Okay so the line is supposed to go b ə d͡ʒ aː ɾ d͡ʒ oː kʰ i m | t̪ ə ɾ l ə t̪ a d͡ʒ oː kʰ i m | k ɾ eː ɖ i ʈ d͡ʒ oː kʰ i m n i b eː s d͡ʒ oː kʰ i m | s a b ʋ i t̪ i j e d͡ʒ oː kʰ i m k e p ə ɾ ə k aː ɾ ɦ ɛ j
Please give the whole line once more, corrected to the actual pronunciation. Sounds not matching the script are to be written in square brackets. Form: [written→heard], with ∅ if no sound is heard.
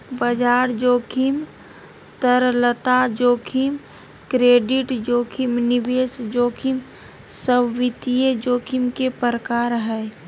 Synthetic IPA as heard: b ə d͡ʒ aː ɾ d͡ʒ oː kʰ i m | t̪ ə ɾ l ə t̪ a d͡ʒ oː kʰ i m | k ɾ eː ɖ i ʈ d͡ʒ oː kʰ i m n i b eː s d͡ʒ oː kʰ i m | s [a→ə] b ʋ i t̪ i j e d͡ʒ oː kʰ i m k e p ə ɾ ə k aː ɾ ɦ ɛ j